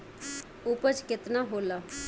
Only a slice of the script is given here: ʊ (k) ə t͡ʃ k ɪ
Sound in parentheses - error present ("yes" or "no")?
yes